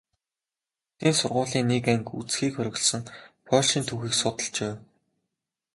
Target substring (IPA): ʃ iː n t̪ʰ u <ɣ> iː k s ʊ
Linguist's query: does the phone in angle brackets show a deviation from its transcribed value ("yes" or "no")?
yes